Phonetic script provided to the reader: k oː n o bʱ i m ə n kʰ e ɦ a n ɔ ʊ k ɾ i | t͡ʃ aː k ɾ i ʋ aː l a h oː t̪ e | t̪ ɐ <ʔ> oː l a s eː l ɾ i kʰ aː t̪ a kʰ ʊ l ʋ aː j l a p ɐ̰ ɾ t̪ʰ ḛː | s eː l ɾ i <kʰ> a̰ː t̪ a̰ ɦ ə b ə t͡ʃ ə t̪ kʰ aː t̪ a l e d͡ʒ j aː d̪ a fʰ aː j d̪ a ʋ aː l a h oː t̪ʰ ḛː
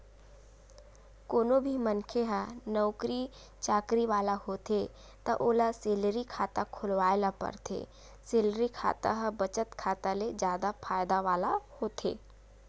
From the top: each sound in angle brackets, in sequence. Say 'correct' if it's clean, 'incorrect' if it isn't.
correct, correct

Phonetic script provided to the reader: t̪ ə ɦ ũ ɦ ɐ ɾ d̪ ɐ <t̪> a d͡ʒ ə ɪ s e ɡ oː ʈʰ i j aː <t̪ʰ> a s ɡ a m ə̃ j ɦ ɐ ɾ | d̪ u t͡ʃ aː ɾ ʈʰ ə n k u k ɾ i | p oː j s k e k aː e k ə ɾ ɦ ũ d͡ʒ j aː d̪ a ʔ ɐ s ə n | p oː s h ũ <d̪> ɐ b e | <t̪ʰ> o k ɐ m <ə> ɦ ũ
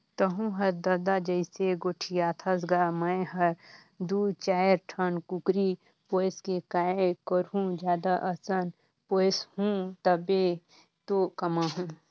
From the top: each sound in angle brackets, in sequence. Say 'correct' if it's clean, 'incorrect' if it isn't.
incorrect: d̪, correct, incorrect: t̪, incorrect: t̪, incorrect: a

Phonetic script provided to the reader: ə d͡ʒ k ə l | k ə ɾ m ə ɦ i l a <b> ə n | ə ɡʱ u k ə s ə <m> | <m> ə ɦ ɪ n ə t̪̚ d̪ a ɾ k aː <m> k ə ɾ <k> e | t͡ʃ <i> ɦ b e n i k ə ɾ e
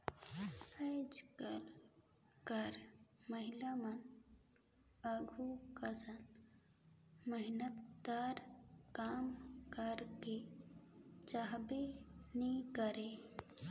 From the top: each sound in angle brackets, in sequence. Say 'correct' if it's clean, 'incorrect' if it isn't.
incorrect: m, incorrect: n, correct, correct, correct, incorrect: a

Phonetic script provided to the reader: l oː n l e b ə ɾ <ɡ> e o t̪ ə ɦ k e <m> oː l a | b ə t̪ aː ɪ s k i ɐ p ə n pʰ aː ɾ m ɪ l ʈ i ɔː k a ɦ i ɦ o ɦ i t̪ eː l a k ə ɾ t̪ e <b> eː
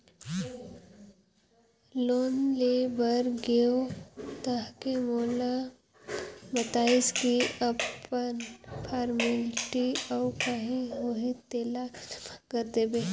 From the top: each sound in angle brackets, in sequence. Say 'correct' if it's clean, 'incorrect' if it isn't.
correct, correct, correct

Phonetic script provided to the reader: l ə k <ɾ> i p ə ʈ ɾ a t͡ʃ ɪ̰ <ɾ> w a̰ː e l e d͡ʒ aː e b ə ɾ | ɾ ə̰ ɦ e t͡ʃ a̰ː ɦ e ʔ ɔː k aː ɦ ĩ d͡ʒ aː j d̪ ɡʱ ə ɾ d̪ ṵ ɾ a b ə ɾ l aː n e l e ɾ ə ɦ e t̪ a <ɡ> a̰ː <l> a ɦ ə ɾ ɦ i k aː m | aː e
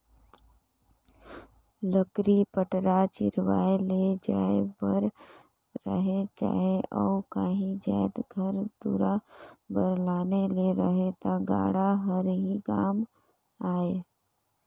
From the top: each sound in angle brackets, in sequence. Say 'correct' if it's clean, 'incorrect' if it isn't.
correct, correct, correct, incorrect: ɽ

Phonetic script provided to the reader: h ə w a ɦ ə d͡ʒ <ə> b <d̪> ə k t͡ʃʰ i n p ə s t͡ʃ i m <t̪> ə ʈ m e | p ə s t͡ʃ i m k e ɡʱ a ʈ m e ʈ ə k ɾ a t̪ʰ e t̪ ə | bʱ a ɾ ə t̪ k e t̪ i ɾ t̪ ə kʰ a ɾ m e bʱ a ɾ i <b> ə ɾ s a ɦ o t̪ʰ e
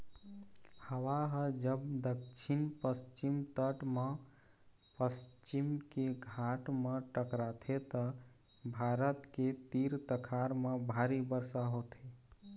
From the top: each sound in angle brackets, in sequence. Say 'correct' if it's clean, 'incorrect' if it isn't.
correct, correct, correct, correct

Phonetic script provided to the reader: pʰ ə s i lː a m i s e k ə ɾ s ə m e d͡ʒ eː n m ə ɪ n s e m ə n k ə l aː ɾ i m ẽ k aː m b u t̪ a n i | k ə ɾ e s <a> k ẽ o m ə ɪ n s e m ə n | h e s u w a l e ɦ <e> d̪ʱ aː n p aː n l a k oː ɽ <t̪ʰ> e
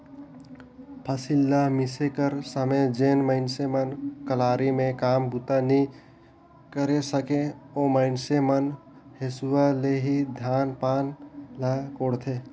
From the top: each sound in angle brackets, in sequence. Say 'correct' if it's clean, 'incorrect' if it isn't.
incorrect: ə, incorrect: i, correct

